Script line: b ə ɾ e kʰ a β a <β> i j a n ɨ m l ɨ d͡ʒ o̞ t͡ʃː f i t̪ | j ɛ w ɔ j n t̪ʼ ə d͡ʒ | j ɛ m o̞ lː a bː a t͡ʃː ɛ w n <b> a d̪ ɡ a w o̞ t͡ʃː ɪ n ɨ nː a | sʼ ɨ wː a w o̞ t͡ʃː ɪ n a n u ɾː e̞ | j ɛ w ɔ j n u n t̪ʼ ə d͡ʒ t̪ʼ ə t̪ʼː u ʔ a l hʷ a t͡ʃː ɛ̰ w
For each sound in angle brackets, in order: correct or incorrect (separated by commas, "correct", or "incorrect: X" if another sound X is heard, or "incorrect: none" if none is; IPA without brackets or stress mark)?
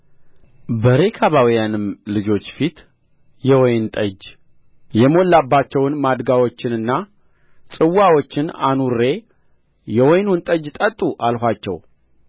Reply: incorrect: w, incorrect: m